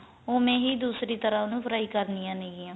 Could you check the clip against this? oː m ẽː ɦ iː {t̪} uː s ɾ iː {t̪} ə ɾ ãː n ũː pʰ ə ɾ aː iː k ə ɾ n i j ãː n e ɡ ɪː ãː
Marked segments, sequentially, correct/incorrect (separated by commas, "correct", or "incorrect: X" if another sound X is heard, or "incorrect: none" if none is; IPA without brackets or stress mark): incorrect: d̪, correct